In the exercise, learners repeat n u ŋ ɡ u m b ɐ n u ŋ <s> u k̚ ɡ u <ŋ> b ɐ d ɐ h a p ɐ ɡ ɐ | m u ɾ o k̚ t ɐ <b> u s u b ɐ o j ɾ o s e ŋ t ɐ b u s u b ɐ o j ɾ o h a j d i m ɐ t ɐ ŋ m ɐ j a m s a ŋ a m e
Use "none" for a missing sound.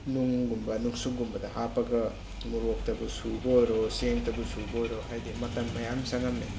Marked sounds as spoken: s, m, b

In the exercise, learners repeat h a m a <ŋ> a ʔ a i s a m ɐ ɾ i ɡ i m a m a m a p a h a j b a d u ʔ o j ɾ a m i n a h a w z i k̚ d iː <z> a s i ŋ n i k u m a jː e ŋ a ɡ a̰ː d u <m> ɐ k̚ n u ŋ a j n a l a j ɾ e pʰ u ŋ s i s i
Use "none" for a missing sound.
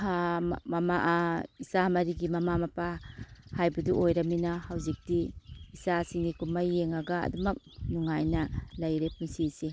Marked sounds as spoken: m, s, m

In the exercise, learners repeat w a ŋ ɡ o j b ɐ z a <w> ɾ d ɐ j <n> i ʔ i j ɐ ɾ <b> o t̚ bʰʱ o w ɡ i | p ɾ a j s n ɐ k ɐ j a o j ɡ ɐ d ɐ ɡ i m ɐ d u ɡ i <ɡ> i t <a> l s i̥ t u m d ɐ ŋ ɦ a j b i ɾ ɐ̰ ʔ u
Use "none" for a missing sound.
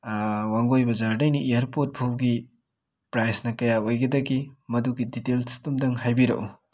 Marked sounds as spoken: none, n, p, d, e

